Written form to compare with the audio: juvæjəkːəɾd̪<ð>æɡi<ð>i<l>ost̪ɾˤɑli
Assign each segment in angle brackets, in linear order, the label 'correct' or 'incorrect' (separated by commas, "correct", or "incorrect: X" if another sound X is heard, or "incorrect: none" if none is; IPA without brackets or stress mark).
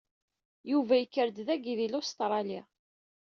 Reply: correct, correct, correct